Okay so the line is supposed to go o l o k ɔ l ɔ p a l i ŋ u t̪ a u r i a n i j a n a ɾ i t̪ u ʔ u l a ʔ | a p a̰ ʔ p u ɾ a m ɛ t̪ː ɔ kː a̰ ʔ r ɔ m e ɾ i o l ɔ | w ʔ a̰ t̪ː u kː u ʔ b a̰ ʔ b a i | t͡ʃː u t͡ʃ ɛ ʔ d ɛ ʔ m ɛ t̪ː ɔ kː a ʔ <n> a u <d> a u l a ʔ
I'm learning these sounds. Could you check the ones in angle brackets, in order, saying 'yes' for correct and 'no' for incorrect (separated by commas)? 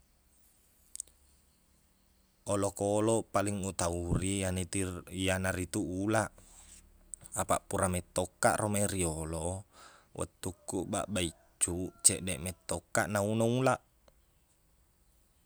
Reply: yes, no